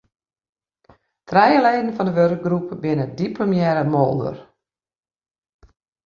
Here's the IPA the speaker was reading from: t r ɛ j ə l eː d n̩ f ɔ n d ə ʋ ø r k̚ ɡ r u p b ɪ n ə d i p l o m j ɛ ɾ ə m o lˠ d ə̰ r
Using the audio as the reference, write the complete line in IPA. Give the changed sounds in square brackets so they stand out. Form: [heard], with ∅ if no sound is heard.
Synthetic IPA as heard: t r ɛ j ə l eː d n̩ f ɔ n d ə ʋ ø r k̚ ɡ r u p b ɪ n ə d i p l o m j ɛ ɾ ə m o lˠ d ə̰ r

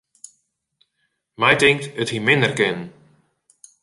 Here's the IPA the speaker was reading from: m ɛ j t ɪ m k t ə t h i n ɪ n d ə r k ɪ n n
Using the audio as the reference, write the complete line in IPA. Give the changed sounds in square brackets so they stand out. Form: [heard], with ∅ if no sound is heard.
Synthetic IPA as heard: m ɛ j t ɪ [ŋ] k t ə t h i [m] ɪ n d ə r k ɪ n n

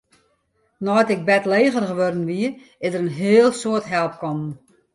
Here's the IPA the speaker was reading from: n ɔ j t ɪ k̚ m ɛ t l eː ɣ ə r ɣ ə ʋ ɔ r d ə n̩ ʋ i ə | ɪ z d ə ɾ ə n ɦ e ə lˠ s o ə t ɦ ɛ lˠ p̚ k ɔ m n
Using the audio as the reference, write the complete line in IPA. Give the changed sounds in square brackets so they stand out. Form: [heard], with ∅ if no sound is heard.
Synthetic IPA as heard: n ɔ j t ɪ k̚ [b] ɛ t l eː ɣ ə r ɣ ə ʋ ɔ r d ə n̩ ʋ i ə | ɪ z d ə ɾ ə n ɦ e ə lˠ s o ə t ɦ ɛ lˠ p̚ k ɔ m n

